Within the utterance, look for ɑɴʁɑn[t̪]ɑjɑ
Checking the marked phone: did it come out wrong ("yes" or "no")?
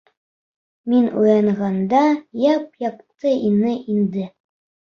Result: yes